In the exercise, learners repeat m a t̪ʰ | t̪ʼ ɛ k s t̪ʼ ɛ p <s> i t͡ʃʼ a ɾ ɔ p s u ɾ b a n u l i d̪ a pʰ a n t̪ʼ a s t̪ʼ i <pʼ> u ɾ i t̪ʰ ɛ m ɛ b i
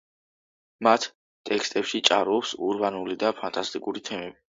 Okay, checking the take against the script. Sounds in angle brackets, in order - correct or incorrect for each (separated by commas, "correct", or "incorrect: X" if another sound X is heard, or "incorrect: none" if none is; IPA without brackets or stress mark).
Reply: incorrect: ʃ, incorrect: kʼ